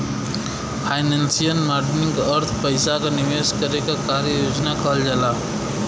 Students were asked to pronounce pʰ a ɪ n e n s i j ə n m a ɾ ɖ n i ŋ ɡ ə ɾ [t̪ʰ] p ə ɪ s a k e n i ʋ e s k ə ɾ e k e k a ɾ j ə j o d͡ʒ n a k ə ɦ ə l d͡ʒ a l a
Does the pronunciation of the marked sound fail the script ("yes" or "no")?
no